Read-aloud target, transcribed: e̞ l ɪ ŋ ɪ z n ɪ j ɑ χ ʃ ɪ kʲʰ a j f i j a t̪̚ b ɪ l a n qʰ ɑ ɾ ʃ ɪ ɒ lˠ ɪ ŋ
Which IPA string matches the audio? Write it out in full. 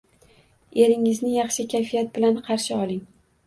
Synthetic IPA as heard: e̞ ɾ ɪ ŋ ɪ z n ɪ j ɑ χ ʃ ɪ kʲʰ a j f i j a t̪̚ b ɪ l a n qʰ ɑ ɾ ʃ ɪ ɒ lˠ ɪ ŋ